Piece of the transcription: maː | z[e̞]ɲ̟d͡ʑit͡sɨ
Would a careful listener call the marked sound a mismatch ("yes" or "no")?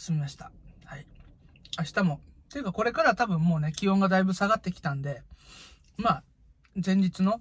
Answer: yes